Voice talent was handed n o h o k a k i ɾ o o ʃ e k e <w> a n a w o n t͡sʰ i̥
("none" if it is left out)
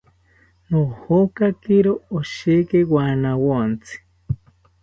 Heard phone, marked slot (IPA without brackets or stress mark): w